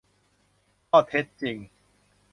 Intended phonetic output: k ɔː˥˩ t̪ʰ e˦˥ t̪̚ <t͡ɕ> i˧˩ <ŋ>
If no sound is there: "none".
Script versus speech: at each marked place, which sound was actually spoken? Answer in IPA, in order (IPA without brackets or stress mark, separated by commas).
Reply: t͡ɕ, ŋ